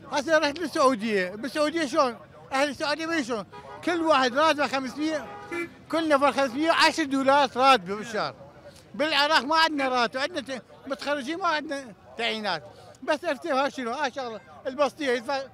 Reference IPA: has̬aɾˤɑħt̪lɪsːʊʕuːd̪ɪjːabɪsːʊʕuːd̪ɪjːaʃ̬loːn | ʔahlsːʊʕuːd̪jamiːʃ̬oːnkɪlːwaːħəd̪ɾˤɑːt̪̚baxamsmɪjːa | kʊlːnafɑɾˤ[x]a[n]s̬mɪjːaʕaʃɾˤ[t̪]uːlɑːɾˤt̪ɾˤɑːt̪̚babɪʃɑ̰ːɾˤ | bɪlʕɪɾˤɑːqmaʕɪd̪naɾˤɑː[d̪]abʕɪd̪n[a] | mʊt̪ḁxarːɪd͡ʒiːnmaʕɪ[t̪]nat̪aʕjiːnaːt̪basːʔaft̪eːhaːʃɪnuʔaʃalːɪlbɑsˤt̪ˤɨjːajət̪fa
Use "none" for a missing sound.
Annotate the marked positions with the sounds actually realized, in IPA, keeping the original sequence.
x, m, d̪, t̪, a, d̪

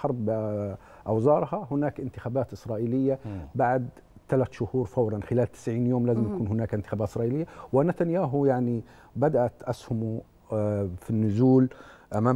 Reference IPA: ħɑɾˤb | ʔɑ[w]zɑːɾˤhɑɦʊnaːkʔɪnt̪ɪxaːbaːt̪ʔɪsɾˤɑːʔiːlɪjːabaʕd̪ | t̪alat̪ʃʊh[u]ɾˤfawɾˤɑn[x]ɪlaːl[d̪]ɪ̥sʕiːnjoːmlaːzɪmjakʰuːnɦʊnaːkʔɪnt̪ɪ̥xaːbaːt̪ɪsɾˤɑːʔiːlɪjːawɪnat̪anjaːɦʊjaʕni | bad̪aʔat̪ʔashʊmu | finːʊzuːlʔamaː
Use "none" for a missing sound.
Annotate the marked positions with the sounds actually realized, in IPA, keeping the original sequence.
w, uː, x, t̪

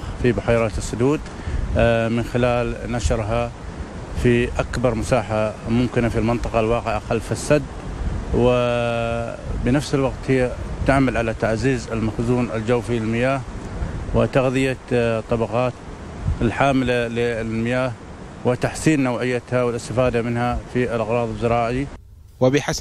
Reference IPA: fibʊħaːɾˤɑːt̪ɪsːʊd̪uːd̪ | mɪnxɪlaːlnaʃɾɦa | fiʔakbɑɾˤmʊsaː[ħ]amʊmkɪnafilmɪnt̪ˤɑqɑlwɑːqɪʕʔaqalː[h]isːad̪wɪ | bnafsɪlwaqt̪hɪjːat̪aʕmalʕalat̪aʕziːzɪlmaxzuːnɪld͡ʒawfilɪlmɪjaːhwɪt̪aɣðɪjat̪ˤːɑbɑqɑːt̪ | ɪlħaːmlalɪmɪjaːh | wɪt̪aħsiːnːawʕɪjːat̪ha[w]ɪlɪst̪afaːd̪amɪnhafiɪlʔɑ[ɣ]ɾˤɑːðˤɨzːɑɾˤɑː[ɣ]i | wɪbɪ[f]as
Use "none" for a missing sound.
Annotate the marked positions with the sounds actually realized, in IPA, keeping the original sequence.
ħ, f, w, ɣ, ʕ, ħ

